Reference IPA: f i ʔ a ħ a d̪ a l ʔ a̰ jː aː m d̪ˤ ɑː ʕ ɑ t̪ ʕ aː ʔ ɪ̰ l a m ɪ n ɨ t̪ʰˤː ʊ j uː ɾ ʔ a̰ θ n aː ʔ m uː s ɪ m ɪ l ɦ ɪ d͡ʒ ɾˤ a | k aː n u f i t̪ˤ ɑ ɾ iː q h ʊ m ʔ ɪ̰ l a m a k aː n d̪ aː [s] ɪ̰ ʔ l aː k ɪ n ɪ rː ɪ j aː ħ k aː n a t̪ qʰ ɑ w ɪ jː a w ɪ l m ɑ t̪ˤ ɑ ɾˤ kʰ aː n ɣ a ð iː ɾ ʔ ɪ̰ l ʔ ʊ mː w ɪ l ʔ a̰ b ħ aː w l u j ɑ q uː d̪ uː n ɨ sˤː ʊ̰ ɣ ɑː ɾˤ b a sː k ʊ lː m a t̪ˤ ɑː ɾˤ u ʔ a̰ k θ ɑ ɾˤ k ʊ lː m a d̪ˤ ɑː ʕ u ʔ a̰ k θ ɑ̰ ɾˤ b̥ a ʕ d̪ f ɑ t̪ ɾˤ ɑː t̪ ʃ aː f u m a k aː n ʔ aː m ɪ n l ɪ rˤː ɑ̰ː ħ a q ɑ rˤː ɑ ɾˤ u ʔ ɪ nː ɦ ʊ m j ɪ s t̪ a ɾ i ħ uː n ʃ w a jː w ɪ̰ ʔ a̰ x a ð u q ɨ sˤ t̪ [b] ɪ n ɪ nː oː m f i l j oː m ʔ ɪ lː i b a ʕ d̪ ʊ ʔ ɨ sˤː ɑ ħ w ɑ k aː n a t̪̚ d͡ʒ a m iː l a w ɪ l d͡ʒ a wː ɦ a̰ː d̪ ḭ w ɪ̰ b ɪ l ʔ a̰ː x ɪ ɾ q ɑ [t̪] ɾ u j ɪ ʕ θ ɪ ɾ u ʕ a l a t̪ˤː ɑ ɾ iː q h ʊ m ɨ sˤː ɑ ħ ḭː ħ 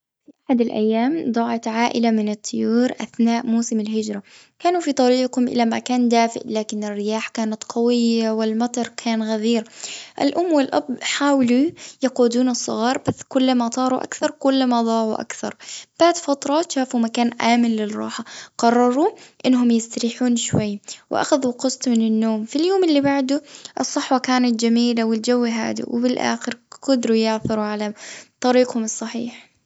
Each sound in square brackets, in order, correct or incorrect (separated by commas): incorrect, incorrect, incorrect